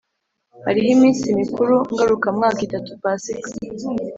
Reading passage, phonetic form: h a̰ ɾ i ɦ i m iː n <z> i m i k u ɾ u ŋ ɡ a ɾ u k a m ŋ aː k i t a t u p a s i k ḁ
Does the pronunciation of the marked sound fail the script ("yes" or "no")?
yes